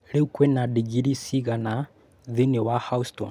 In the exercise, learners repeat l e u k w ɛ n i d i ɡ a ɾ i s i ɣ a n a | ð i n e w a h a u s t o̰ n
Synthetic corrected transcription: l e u k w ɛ n a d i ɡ i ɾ i s i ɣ a n a | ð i n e w a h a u s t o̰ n